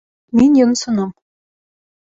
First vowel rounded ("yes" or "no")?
no